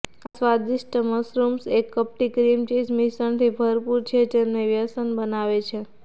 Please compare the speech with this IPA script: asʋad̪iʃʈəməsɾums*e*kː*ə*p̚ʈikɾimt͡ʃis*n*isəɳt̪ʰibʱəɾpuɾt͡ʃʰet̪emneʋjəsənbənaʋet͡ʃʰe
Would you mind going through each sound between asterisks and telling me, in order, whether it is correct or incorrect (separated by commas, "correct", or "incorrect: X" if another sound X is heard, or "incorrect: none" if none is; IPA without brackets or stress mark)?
correct, correct, incorrect: m